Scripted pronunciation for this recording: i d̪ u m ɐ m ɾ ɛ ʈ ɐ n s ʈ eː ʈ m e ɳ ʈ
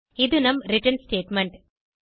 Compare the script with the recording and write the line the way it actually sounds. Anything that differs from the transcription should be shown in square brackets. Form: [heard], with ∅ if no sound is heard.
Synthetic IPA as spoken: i d̪ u [n] ɐ m ɾ [i] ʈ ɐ n s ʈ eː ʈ m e ɳ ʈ